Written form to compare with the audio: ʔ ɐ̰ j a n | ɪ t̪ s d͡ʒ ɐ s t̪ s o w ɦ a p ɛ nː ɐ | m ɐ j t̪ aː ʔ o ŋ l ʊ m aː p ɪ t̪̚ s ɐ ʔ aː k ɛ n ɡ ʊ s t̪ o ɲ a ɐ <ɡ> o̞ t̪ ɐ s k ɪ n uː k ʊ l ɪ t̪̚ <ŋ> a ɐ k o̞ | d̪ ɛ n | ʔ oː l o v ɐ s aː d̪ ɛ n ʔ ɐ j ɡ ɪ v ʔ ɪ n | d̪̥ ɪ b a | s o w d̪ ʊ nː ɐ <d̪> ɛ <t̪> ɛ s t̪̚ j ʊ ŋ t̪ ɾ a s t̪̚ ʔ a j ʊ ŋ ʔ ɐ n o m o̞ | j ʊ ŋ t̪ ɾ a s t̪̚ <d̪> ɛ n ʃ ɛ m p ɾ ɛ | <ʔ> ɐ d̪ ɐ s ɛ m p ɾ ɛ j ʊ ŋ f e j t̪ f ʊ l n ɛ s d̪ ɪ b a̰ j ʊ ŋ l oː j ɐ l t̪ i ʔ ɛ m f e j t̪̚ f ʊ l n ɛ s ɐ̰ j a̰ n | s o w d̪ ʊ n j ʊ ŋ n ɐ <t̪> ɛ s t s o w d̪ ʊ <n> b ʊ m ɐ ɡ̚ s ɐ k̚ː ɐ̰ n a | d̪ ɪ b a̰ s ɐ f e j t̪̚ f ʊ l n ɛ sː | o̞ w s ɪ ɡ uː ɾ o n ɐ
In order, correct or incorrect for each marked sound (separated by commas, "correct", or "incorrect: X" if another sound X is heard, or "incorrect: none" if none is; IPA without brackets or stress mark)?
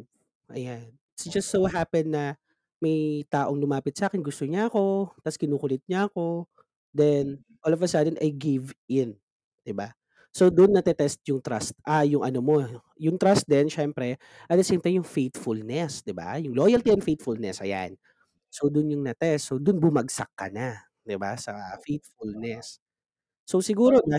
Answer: incorrect: k, incorrect: ɲ, incorrect: t̪, correct, correct, correct, correct, correct